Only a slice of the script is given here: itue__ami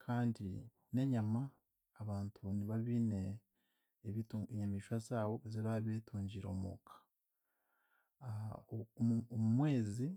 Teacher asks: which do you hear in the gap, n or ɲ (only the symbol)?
ɲ